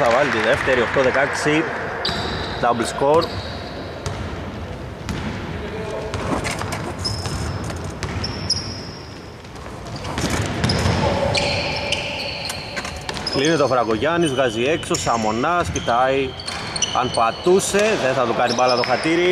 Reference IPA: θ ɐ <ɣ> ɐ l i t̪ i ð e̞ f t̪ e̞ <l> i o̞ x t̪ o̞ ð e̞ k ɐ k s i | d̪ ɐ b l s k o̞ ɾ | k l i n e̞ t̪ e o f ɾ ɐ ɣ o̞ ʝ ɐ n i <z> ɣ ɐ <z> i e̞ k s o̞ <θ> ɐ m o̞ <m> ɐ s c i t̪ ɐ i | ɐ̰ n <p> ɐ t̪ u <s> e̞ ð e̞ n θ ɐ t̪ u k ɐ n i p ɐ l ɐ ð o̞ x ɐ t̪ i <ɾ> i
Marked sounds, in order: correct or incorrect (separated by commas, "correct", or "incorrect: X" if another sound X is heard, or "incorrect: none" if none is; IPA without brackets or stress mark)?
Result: incorrect: v, incorrect: ɾ, correct, correct, incorrect: s, incorrect: n, correct, correct, correct